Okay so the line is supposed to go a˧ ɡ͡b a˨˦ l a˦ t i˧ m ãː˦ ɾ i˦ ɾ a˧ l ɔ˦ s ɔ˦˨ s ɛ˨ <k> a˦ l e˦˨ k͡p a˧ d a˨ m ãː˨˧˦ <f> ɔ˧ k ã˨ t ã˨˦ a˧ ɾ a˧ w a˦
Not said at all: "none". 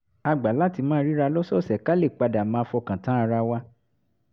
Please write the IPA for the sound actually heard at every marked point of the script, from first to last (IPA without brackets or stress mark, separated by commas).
k, f